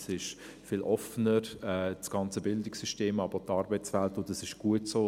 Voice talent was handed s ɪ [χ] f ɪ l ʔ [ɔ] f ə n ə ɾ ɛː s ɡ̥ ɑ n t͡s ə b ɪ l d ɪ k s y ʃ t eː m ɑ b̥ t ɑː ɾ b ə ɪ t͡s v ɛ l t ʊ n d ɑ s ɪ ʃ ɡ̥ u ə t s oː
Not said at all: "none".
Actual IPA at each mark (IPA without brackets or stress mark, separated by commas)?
ʃ, ɔ